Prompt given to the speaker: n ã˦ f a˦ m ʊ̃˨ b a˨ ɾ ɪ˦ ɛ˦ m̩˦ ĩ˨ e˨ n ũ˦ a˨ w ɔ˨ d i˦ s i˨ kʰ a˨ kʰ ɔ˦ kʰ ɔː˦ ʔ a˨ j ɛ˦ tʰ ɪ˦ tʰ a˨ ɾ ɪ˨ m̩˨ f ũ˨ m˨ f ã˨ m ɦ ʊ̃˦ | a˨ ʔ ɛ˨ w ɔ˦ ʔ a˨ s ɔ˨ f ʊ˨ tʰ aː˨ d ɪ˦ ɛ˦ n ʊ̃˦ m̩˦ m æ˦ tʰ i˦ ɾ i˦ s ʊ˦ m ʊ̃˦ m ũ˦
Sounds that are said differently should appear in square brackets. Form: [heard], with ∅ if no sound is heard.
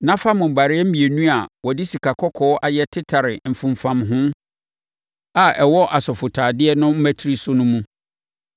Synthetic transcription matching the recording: n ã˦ f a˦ m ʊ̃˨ b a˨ ɾ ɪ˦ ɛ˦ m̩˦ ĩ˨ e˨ n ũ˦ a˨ w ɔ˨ d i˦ s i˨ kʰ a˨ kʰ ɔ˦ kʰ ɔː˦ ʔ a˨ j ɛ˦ tʰ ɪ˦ tʰ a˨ ɾ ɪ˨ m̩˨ f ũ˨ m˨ f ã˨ m ɦ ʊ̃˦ | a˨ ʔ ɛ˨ w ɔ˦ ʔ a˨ s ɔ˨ f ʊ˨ tʰ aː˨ d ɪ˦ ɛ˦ n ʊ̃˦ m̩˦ m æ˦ tʰ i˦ ɾ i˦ s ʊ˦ [n] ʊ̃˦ m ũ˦